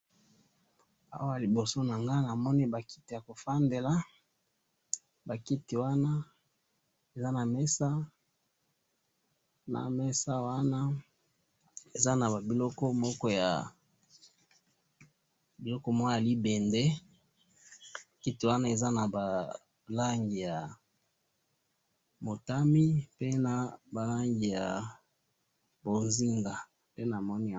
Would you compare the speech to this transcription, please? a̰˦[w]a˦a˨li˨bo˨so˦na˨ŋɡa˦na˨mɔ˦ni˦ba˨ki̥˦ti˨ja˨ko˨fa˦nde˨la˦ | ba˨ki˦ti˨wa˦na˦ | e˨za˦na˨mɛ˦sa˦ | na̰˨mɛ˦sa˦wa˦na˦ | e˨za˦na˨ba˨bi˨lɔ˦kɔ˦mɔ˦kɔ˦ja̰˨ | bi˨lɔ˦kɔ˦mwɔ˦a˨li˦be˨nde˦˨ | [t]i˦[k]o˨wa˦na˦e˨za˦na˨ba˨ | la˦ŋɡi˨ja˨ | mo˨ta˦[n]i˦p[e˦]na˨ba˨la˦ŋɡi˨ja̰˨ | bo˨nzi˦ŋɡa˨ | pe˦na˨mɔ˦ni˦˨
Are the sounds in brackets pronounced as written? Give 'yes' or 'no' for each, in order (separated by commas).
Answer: yes, no, no, no, yes